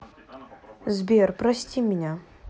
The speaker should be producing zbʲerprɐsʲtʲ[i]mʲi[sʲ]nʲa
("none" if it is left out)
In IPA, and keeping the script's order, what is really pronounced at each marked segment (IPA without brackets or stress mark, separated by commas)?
i, none